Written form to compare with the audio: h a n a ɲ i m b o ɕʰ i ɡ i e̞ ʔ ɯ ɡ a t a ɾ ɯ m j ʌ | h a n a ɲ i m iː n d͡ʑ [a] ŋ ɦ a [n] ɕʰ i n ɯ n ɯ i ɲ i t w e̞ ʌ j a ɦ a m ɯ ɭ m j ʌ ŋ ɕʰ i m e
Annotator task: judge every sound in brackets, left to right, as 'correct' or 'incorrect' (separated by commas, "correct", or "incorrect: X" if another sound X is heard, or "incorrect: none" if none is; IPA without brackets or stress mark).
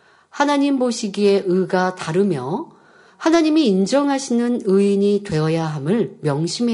incorrect: ʌ, incorrect: none